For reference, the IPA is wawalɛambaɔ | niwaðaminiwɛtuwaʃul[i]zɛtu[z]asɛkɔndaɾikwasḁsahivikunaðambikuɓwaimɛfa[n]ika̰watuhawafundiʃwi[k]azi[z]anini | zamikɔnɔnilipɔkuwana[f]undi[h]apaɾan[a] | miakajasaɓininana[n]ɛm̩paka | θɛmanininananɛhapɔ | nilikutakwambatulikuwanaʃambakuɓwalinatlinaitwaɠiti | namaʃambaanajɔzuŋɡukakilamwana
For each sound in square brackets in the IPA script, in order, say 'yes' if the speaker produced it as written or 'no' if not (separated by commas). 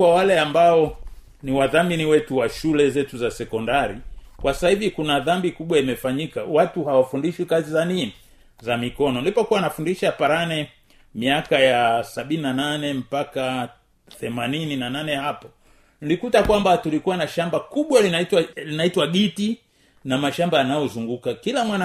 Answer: no, yes, no, yes, yes, yes, no, no, yes